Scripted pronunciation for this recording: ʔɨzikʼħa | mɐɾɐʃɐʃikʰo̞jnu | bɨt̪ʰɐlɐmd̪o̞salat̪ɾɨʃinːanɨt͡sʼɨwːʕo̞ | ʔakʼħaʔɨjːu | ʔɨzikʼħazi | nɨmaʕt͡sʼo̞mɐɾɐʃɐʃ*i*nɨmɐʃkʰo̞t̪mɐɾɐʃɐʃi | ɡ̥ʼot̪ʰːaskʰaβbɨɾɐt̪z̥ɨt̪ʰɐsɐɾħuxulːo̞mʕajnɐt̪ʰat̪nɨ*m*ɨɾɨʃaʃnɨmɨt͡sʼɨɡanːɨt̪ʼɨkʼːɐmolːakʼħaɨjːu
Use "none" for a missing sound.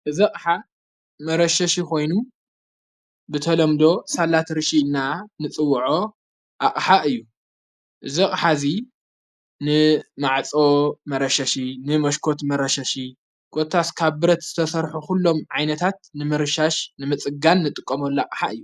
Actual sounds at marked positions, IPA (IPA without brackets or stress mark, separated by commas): i, m